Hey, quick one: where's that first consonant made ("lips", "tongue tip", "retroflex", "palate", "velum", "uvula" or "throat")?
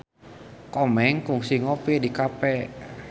velum